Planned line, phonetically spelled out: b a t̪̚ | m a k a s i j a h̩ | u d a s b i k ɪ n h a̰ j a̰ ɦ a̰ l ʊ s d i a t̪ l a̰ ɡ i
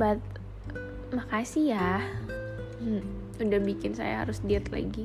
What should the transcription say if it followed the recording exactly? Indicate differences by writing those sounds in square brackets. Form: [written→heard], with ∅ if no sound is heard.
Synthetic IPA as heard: b a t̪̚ | m a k a s i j a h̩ | u d a [s→h] b i k ɪ n [h→s] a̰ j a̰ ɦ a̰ [l→ɾ] ʊ s d i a t̪ l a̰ ɡ i